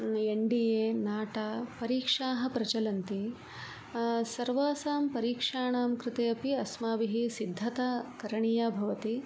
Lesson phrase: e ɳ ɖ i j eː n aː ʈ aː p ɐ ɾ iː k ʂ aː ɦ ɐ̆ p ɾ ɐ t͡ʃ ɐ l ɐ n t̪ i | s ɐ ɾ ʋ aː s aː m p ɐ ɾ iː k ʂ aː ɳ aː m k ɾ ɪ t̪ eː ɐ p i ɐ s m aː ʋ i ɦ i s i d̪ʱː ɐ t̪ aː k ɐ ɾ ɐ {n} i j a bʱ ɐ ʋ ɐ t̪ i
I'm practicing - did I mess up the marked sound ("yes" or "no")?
yes